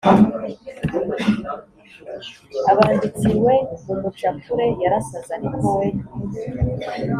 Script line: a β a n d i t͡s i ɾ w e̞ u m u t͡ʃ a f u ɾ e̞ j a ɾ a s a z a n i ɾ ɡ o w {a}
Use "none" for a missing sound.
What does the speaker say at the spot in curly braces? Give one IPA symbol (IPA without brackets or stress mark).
e